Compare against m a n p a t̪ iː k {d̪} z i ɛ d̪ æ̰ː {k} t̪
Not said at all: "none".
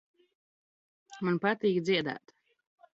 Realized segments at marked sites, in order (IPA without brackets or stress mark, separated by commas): d̪, none